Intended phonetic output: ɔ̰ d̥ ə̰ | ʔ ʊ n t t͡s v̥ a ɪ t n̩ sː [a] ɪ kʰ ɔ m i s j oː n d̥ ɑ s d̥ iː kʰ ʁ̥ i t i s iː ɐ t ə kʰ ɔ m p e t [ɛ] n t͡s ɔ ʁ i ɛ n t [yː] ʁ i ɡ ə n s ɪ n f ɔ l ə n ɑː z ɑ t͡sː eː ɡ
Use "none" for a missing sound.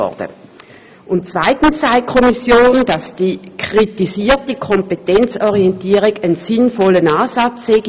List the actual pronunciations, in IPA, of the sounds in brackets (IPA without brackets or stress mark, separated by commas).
a, ɛ, iː